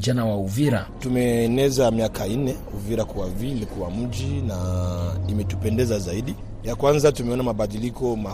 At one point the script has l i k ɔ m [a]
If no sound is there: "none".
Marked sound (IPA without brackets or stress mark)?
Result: a